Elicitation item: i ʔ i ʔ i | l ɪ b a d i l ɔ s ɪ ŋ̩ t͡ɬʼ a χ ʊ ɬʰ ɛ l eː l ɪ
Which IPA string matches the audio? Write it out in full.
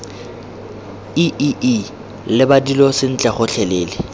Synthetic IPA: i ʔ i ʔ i | l ɪ b a d i l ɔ s ɪ n̩ t͡ɬʼ ɛ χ ʊ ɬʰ ɛ l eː l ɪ